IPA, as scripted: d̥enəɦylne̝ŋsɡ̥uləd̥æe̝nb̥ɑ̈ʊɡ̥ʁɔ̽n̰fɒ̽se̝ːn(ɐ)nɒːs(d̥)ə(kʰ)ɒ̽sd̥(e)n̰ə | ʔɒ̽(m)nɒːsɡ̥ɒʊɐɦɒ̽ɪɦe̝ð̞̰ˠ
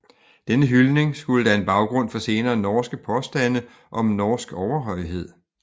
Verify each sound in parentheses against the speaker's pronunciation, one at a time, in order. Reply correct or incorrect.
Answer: incorrect, incorrect, incorrect, incorrect, correct

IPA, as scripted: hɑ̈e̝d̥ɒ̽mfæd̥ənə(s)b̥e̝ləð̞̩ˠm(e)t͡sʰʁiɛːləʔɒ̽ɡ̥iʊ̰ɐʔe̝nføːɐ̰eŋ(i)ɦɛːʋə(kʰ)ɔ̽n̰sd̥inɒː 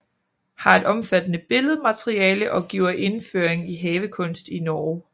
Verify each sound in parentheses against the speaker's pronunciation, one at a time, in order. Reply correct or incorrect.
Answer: incorrect, incorrect, correct, correct

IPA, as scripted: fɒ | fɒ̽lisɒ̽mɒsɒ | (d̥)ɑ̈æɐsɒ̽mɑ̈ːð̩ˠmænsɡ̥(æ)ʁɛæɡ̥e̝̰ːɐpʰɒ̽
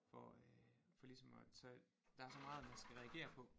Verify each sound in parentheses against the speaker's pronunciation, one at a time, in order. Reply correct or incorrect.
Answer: correct, correct

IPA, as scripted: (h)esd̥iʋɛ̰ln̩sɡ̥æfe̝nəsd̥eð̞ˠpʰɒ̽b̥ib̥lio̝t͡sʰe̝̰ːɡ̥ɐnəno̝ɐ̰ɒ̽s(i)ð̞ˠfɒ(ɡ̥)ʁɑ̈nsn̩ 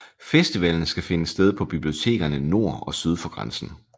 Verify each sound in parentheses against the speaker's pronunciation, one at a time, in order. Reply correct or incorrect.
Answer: incorrect, incorrect, correct

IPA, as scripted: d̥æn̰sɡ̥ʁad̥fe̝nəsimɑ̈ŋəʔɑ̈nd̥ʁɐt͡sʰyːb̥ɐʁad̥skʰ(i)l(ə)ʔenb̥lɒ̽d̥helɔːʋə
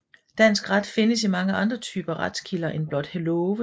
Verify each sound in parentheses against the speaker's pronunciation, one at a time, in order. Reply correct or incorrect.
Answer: correct, incorrect

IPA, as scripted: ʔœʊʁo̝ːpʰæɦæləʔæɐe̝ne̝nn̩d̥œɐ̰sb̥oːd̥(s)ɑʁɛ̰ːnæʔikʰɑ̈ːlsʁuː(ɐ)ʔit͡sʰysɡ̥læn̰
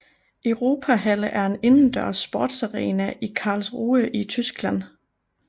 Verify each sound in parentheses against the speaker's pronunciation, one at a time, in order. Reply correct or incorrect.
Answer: correct, incorrect

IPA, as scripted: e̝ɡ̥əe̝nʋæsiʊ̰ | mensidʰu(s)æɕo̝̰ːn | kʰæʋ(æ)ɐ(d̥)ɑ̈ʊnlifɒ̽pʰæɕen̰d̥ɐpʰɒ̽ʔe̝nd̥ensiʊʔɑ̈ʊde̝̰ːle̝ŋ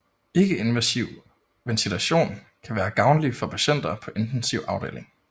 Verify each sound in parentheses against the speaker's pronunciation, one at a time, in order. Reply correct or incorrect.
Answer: incorrect, incorrect, incorrect

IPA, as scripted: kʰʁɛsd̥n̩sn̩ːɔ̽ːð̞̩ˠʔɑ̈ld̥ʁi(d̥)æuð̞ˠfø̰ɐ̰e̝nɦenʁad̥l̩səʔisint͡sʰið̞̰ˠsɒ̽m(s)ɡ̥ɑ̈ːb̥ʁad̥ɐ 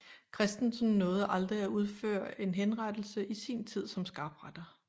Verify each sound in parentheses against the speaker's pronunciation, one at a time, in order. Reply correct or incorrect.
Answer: incorrect, correct

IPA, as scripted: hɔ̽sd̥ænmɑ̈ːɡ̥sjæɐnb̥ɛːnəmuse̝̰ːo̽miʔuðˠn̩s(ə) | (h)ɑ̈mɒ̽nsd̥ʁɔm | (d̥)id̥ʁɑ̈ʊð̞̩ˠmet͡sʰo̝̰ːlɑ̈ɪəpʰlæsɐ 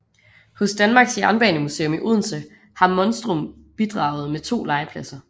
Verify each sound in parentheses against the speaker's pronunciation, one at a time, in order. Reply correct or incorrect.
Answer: correct, correct, incorrect

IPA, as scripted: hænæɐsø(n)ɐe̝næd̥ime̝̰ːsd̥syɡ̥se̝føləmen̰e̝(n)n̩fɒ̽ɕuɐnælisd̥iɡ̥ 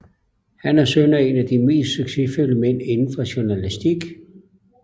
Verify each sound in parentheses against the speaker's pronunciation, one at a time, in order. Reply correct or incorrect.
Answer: correct, correct

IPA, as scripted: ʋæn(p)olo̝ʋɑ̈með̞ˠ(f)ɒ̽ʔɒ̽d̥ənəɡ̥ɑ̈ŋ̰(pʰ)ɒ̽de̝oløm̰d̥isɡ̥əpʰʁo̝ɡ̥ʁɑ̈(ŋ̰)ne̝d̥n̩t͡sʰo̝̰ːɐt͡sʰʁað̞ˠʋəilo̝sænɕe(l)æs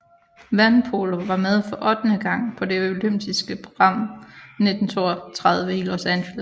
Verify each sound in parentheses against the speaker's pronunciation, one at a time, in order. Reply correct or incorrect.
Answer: incorrect, correct, correct, incorrect, correct

